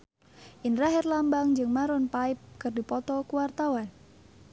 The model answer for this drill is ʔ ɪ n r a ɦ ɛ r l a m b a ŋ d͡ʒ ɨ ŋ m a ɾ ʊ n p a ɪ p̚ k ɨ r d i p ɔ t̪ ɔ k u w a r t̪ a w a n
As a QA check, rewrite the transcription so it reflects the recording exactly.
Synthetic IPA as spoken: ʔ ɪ n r a ɦ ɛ r l a m b a ŋ d͡ʒ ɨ ŋ m a ɾ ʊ n p a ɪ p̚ k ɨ r d i p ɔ t̪ ɔ k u w a r t̪ a w a n